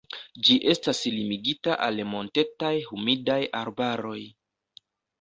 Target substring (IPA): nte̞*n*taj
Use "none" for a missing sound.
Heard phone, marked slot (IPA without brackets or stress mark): none